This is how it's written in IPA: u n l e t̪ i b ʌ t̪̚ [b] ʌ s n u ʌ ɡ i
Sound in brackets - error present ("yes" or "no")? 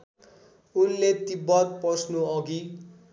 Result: yes